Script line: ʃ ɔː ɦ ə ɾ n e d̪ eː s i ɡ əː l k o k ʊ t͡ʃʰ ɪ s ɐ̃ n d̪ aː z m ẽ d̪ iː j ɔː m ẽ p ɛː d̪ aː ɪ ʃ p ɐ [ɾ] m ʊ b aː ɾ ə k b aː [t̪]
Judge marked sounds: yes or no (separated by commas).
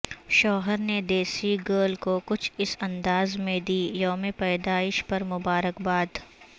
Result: yes, no